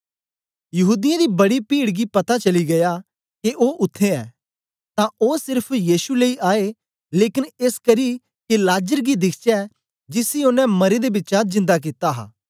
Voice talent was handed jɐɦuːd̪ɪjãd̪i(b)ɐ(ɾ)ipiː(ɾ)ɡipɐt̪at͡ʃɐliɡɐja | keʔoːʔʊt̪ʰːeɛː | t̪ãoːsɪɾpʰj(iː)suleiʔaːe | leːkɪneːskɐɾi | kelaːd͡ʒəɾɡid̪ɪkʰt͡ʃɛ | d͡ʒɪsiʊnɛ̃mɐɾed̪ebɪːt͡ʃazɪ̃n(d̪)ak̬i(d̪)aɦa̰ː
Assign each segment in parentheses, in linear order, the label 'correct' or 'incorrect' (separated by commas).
correct, incorrect, incorrect, correct, correct, incorrect